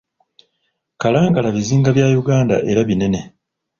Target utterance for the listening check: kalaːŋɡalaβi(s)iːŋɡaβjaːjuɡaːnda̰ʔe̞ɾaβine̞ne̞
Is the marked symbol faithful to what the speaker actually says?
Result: no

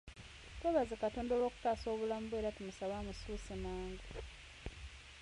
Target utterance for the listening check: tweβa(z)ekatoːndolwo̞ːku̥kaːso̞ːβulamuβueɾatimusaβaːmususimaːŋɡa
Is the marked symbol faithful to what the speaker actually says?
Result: yes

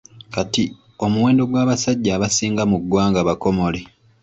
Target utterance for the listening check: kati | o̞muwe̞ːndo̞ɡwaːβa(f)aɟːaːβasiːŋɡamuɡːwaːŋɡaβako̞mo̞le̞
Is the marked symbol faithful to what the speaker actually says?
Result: no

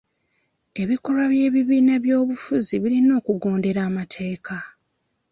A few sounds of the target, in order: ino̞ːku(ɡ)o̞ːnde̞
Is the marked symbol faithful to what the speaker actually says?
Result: yes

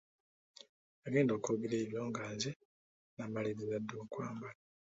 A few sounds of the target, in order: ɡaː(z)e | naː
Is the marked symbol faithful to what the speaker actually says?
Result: yes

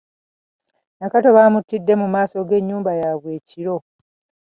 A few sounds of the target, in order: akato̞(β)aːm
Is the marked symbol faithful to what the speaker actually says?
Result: yes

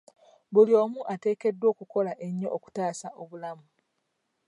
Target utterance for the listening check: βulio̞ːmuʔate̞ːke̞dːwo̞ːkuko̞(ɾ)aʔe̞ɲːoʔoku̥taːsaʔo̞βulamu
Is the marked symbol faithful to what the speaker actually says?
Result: no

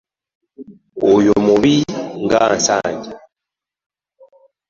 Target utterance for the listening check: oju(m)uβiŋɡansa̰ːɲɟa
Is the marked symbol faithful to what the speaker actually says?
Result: yes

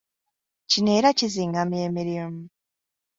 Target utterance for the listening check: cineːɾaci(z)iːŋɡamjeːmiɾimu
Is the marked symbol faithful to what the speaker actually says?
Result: yes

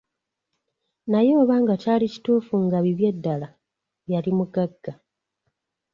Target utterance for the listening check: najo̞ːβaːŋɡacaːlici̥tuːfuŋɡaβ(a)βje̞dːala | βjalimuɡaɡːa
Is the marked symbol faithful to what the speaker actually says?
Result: no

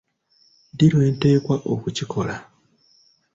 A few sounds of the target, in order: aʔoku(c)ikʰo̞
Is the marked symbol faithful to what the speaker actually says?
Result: yes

